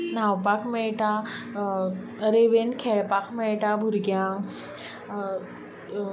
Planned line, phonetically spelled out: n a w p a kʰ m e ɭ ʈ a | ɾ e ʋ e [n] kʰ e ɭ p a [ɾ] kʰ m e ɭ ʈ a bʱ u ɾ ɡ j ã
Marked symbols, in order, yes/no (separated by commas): yes, no